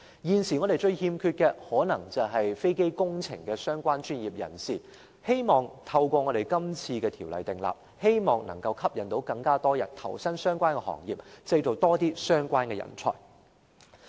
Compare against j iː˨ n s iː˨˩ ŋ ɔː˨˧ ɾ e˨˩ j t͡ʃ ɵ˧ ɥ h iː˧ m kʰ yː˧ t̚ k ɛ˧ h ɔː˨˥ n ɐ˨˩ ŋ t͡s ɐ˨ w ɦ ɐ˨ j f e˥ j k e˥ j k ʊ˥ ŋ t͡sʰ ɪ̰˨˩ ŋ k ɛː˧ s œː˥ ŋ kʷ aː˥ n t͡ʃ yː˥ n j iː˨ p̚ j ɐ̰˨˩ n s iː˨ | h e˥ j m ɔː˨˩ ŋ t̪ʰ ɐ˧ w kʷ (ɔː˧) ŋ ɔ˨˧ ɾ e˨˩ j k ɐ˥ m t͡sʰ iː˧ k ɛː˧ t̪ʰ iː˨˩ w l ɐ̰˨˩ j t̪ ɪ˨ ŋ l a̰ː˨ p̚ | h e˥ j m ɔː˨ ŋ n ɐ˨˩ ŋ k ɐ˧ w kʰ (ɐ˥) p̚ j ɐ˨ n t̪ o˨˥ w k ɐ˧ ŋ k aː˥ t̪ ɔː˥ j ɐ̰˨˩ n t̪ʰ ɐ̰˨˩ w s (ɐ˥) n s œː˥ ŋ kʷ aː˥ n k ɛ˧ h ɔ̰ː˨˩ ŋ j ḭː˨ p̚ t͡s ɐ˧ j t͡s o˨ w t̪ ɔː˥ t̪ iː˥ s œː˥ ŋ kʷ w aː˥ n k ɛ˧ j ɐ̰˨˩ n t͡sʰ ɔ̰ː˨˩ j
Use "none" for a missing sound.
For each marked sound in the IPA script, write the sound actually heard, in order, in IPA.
ɔː˧, ɐ˥, ɐ˥

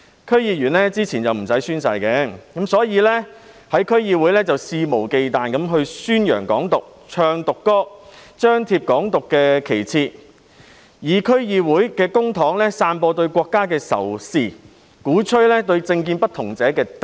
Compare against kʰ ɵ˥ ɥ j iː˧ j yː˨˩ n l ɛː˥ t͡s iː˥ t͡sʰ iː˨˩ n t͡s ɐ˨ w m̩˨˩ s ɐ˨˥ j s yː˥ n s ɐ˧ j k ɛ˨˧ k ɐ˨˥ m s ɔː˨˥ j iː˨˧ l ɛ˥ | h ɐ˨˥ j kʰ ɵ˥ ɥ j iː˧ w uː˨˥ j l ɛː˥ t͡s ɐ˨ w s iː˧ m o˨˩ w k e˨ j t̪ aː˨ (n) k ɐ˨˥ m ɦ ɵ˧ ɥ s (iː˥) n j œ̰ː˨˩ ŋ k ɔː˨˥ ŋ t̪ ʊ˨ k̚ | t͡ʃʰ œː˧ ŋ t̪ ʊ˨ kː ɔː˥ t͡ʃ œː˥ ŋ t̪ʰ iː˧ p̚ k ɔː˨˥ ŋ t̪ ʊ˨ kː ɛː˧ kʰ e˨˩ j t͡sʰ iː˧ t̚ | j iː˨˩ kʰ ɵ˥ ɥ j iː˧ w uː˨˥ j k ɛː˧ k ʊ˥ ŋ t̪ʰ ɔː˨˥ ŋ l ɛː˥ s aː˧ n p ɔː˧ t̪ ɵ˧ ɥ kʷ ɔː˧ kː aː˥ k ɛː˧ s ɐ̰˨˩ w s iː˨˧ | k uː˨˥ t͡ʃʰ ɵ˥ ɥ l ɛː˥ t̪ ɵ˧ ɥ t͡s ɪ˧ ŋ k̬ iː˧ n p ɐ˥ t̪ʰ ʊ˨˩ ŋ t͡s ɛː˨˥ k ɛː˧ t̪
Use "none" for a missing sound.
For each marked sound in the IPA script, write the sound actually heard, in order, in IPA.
n, yː˥

